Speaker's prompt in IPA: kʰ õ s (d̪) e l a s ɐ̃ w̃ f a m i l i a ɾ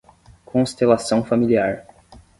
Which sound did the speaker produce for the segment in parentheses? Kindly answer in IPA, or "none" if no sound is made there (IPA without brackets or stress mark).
t̪